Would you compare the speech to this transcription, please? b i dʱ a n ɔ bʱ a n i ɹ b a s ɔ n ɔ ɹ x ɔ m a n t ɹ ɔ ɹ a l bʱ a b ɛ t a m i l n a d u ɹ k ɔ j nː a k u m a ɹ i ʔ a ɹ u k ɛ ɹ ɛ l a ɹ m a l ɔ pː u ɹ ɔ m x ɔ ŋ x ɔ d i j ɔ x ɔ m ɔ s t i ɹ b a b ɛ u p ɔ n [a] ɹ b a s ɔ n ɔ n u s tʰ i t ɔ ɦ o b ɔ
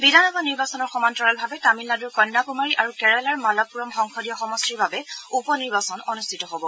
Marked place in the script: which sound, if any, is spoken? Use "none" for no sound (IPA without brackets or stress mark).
i